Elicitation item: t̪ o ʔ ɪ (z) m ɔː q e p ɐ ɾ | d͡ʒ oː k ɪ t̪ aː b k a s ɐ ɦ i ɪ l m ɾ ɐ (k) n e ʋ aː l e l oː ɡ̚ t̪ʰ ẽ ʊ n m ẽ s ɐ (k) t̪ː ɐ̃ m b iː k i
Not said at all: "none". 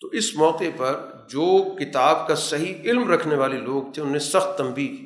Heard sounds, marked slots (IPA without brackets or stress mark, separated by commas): s, kʰ, x